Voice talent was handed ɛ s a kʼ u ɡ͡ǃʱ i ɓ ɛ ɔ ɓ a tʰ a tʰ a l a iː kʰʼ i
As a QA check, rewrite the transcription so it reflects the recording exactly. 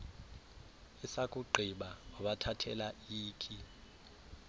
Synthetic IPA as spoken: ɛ s a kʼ u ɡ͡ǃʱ i ɓ a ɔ ɓ a tʰ a tʰ ɛ l a iː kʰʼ i